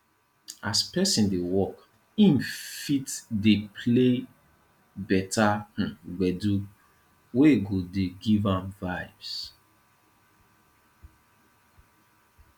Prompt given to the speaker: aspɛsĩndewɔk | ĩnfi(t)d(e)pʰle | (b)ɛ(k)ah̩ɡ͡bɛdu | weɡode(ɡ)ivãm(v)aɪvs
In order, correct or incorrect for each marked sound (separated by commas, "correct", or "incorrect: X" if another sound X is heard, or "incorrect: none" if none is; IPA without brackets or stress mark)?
correct, correct, correct, incorrect: t, correct, correct